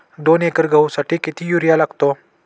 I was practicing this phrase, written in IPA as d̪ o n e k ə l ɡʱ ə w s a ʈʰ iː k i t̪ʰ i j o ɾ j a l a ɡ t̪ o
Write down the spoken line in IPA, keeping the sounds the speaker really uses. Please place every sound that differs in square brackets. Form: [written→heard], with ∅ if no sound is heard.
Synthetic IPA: d̪ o n e k ə [l→ɾ] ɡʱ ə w s a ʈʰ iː k i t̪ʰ i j [o→u] ɾ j a l a ɡ t̪ o